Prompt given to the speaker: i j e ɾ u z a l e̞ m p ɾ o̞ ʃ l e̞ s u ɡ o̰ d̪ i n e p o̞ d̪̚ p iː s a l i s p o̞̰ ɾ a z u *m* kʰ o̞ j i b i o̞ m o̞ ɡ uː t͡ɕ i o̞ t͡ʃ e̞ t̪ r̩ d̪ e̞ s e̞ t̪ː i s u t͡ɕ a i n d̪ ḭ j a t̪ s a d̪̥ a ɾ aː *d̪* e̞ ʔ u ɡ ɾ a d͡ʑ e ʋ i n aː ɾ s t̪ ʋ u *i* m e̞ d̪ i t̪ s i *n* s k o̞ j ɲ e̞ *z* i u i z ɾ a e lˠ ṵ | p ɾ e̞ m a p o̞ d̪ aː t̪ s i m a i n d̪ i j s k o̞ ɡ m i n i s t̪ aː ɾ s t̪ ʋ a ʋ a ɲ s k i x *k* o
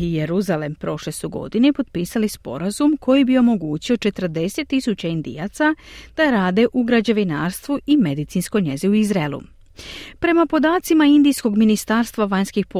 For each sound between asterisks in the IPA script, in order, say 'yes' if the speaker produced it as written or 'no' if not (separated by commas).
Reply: yes, yes, yes, yes, yes, no